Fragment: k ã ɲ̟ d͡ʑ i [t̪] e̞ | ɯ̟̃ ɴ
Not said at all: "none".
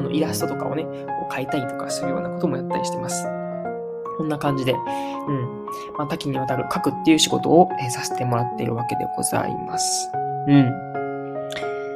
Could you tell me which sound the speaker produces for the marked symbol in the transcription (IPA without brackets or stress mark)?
d̪